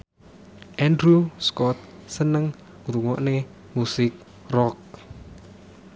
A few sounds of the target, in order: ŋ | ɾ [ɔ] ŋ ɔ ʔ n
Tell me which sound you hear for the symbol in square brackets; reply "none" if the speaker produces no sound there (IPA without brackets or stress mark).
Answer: u